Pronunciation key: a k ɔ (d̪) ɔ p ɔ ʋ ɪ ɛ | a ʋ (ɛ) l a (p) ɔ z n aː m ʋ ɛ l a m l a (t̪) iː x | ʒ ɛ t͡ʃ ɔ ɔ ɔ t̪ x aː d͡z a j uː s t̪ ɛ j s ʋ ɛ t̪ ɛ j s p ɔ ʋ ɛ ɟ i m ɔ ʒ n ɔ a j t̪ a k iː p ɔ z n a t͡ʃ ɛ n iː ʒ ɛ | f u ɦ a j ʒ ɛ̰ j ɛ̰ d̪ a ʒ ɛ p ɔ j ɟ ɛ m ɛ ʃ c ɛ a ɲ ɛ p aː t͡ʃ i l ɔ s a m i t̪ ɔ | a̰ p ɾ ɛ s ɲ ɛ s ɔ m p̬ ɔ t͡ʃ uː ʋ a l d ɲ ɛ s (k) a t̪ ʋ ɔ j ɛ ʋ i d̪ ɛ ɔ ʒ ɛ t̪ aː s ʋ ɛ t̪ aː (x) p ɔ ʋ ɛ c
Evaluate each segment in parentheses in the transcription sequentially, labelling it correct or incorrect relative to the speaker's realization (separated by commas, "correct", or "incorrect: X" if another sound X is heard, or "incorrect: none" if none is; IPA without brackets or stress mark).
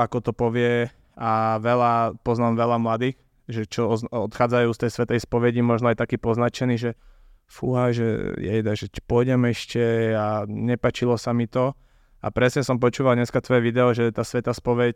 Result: incorrect: t̪, correct, correct, incorrect: d̪, correct, incorrect: s